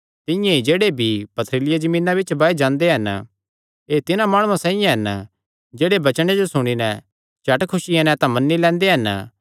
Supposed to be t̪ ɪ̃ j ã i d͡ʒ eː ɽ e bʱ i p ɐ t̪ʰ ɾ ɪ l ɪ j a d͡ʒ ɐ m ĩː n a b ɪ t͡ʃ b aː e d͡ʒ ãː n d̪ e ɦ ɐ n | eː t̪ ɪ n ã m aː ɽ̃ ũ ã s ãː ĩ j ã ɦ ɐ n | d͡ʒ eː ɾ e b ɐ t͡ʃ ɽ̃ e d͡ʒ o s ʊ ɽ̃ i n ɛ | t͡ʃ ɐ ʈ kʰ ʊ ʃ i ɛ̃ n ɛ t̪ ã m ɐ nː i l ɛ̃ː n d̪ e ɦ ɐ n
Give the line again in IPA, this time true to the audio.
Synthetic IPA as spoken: t̪ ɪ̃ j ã i d͡ʒ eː ɽ e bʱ i p ɐ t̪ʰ ɾ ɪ l ɪ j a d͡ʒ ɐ m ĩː n a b ɪ t͡ʃ b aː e d͡ʒ ãː n d̪ e ɦ ɐ n | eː t̪ ɪ n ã m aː ɽ̃ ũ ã s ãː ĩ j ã ɦ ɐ n | d͡ʒ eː ɽ e b ɐ t͡ʃ ɽ̃ e d͡ʒ o s ʊ ɽ̃ i n ɛ | t͡ʃ ɐ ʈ kʰ ʊ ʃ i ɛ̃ n ɛ t̪ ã m ɐ nː i l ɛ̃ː n d̪ e ɦ ɐ n